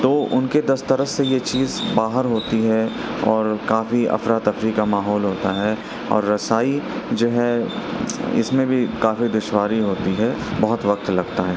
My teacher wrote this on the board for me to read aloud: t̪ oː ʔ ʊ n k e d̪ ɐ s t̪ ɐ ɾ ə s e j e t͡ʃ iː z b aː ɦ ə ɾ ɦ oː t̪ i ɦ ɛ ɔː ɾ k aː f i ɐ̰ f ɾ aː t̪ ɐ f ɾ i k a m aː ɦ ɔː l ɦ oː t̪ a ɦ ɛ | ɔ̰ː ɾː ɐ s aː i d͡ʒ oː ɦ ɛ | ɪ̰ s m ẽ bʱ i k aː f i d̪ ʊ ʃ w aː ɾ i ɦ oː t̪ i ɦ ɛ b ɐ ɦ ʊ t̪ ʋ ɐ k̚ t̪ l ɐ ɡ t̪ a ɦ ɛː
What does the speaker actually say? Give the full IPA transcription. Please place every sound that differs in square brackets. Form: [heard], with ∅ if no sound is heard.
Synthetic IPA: t̪ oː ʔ ʊ n k e d̪ ɐ s t̪ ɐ ɾ ə s e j e t͡ʃ iː z b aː ɦ ə ɾ ɦ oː t̪ i ɦ ɛ ɔː ɾ k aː f i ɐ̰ f ɾ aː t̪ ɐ f ɾ i k a m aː ɦ ɔː l ɦ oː t̪ a ɦ ɛ | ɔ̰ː ɾː ɐ s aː i d͡ʒ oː ɦ ɛ | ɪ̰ s m ẽ bʱ i k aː f i d̪ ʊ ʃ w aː ɾ i ɦ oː t̪ i ɦ ɛ b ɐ ɦ ʊ t̪ ʋ ɐ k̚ t̪ l ɐ ɡ t̪ a ɦ ɛː